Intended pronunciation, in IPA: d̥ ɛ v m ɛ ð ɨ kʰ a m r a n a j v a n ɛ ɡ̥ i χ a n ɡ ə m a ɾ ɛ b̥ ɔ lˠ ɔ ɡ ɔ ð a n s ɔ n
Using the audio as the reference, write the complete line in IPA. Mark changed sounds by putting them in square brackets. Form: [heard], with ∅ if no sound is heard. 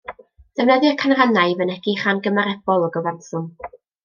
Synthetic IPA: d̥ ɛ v [n] ɛ ð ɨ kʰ a [n] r a n a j v [ə] n ɛ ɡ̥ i χ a n ɡ ə m a ɾ ɛ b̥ ɔ lˠ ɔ ɡ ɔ [v] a n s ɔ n